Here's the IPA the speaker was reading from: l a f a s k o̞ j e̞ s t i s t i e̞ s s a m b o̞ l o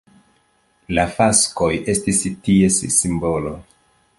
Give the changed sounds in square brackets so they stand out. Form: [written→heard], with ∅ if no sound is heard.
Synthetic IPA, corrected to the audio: l a f a s k o̞ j e̞ s t i s t i e̞ s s [a→i] m b o̞ l o